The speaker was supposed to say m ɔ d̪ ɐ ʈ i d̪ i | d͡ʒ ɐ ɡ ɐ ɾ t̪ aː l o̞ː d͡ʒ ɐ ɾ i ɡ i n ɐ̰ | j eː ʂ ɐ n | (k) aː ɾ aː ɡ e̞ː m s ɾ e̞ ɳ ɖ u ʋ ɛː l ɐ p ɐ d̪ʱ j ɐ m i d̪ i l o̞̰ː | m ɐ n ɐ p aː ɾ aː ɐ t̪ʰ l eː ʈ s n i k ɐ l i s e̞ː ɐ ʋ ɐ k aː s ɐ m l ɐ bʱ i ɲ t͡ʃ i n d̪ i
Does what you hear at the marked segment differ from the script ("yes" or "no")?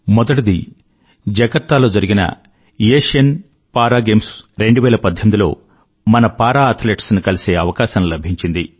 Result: yes